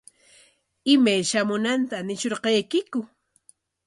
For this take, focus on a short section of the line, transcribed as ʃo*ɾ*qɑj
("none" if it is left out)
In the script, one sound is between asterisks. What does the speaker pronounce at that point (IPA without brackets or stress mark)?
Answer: ɾ